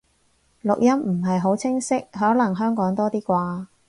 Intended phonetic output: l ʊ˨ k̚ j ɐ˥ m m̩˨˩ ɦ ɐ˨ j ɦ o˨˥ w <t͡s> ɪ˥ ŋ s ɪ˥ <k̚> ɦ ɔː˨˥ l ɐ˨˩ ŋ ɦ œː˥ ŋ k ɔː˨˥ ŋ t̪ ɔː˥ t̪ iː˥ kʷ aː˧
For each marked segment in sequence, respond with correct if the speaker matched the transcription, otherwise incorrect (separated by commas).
incorrect, correct